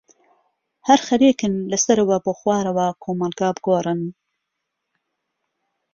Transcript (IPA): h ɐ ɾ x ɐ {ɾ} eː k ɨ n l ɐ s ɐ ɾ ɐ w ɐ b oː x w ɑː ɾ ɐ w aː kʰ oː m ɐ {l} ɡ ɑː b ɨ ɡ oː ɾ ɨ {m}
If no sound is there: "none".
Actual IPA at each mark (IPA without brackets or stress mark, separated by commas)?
ɾ, l, n